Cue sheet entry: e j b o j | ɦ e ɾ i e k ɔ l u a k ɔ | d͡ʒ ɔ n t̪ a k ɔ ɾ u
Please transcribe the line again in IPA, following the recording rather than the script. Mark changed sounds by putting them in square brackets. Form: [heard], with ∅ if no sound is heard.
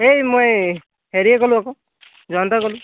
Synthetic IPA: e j [m] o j | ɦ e ɾ i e k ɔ l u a k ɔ | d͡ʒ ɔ n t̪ a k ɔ [l] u